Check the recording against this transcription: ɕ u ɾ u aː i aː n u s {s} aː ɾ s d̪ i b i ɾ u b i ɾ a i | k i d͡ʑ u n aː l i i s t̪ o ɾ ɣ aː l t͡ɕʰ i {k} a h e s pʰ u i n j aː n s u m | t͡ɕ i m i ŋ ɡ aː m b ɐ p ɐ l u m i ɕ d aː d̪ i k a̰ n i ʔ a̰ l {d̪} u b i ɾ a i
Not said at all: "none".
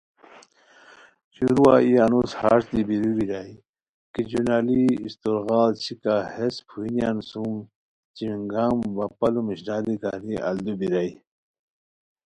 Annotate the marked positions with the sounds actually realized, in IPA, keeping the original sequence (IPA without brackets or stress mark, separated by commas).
h, k, d̪